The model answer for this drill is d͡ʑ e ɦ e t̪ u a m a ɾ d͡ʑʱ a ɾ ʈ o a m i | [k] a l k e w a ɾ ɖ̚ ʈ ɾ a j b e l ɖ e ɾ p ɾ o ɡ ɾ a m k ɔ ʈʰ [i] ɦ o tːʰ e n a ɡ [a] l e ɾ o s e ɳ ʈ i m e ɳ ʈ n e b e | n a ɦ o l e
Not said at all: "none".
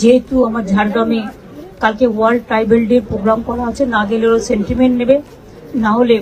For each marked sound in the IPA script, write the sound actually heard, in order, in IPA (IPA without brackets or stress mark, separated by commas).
k, a, e